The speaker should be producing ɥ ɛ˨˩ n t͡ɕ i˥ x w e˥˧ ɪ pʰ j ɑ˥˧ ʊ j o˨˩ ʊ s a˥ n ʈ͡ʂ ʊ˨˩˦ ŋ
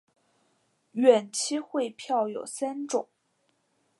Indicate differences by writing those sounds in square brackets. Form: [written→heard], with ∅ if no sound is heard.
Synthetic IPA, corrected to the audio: ɥ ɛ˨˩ n [t͡ɕ→t͡ɕʰ] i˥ x w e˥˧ ɪ pʰ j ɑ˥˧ ʊ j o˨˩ ʊ s a˥ n ʈ͡ʂ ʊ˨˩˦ ŋ